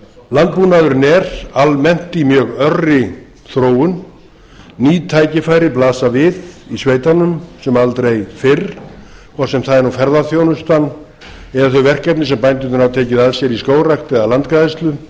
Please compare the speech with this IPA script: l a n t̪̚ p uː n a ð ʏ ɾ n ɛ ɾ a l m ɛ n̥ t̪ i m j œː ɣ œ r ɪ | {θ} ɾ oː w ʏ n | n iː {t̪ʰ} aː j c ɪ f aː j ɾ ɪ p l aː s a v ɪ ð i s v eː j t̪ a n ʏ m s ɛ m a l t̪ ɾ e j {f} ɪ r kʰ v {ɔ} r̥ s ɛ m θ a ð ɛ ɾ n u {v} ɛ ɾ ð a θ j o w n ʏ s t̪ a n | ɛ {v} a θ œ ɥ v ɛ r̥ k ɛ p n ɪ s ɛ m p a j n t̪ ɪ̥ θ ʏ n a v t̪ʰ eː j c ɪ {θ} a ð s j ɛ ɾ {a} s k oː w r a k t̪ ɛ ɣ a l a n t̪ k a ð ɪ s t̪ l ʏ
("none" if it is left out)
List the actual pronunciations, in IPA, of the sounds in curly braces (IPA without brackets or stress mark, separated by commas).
θ, t̪ʰ, f, ɔ, f, ð, ð, i